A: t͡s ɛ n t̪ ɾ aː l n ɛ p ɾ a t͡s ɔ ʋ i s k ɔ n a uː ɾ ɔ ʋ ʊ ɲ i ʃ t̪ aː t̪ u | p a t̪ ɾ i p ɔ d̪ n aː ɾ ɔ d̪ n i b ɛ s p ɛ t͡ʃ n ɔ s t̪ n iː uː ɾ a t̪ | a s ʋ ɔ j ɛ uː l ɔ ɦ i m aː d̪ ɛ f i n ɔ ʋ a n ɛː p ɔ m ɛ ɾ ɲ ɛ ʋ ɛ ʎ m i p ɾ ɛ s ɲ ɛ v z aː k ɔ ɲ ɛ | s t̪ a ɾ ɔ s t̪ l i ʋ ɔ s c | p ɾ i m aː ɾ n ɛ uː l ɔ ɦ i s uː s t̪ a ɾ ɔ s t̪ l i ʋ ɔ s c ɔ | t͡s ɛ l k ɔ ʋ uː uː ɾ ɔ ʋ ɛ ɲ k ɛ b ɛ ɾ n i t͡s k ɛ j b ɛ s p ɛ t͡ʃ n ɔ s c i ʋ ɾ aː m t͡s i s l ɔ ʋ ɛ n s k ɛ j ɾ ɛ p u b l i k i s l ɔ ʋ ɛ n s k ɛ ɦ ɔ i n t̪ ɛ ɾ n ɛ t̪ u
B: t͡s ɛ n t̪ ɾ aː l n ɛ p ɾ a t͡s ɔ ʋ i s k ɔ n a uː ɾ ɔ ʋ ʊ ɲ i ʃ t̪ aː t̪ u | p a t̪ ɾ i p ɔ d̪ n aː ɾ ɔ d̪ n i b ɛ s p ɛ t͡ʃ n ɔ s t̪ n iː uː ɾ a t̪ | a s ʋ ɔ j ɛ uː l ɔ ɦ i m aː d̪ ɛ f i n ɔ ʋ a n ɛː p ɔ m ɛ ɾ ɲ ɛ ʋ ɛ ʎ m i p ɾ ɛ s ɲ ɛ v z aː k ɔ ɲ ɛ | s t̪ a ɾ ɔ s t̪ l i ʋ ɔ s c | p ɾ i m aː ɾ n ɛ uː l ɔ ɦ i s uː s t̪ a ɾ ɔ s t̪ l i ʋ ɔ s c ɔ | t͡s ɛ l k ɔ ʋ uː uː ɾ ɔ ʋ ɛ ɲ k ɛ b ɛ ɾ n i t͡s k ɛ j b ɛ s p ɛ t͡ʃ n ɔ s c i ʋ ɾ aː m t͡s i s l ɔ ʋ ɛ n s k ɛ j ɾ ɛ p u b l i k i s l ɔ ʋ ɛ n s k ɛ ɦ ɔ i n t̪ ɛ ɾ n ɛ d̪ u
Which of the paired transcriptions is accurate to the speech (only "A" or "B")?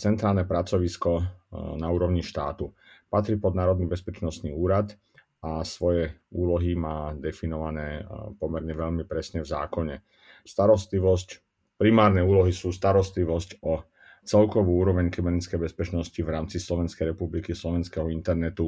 A